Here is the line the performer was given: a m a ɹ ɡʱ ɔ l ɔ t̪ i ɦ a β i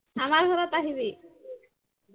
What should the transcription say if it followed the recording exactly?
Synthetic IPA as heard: a m a ɾ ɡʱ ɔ ɾ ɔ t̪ a ɦ i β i